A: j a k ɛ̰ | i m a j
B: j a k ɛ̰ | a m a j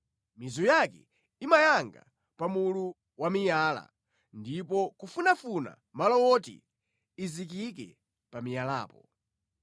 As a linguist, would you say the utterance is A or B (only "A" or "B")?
A